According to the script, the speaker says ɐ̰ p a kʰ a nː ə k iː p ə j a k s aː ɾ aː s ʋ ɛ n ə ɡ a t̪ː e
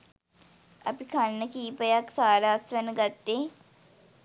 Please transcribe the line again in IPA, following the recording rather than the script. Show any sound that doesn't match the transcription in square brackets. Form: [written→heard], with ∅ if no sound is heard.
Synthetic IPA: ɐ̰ p [a→i] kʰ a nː ə k iː p ə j a k s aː ɾ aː s ʋ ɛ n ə ɡ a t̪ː e